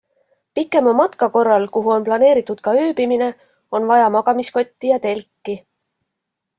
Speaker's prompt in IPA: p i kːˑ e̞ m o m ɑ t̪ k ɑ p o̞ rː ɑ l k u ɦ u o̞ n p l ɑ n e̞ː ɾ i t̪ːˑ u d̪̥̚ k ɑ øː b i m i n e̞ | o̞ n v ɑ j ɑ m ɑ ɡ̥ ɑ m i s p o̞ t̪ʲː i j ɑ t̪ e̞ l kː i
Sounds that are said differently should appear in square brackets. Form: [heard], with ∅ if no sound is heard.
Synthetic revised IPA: p i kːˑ e̞ m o m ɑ t̪ k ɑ [k] o̞ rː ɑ l k u ɦ u o̞ n p l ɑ n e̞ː ɾ i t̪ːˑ u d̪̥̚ k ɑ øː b i m i n e̞ | o̞ n v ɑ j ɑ m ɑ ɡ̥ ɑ m i s [k] o̞ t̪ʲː i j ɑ t̪ e̞ l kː i